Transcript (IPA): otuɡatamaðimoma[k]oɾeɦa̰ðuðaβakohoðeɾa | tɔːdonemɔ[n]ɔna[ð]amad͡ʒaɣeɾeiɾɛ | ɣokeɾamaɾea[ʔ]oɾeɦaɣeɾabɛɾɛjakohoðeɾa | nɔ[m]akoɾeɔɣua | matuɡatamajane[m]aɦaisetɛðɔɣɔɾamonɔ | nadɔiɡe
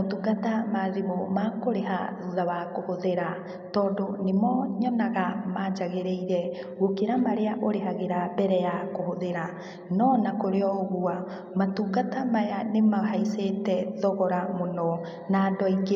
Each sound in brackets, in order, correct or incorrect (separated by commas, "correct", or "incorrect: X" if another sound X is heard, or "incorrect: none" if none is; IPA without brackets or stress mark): correct, incorrect: ɲ, incorrect: ɣ, correct, incorrect: n, correct